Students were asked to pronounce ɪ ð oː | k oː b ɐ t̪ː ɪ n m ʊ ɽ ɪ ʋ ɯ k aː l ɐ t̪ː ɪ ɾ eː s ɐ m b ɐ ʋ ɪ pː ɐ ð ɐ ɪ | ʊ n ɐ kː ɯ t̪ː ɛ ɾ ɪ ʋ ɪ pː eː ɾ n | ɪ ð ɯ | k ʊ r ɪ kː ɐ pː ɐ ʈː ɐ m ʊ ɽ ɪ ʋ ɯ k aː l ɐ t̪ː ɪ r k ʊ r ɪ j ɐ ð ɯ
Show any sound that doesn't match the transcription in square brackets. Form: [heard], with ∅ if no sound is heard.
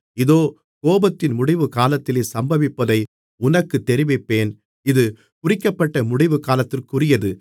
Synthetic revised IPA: ɪ ð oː | k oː b ɐ t̪ː ɪ n m ʊ ɽ ɪ ʋ ɯ k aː l ɐ t̪ː ɪ [l] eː s ɐ m b ɐ ʋ ɪ pː ɐ ð ɐ ɪ | ʊ n ɐ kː ɯ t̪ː ɛ ɾ ɪ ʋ ɪ pː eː [∅] n | ɪ ð ɯ | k ʊ r ɪ kː ɐ pː ɐ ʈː ɐ m ʊ ɽ ɪ ʋ ɯ k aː l ɐ t̪ː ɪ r k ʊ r ɪ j ɐ ð ɯ